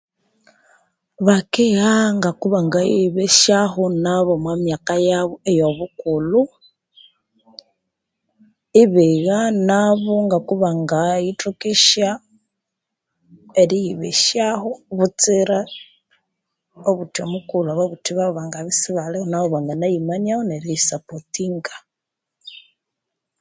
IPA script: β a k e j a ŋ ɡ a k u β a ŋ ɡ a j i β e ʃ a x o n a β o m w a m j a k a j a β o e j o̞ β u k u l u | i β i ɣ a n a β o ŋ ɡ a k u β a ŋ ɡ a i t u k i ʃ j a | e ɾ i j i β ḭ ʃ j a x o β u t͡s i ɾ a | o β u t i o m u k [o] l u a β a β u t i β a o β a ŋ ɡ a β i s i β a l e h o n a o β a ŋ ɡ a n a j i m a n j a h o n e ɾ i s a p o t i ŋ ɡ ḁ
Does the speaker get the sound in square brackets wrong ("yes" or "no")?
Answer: yes